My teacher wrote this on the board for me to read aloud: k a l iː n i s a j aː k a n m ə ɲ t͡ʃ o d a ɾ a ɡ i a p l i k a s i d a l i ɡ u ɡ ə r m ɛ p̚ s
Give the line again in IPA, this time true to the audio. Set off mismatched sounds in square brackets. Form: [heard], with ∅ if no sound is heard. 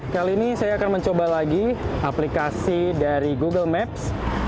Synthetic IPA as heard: k a l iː n i s a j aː k a n m ə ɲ t͡ʃ o [b] a [l] a ɡ i a p l i k a s i d a [ɾ] i ɡ u ɡ ə [l] m ɛ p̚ s

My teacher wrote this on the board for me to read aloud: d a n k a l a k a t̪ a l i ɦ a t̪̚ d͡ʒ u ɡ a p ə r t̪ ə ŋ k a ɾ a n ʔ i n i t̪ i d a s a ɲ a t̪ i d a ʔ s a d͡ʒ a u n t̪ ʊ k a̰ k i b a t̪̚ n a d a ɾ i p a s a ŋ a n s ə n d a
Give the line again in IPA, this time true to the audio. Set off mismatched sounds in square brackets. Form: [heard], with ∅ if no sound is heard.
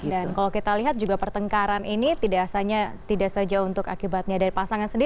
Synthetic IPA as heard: d a n k a l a k [i] t̪ a l i ɦ a t̪̚ d͡ʒ u ɡ a p ə r t̪ ə ŋ k a ɾ a n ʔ i n i t̪ i d a s a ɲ a t̪ i d a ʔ s a d͡ʒ a u n t̪ ʊ k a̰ k i b a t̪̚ [ɲ] a d a ɾ i p a s a ŋ a n s ə n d [i]

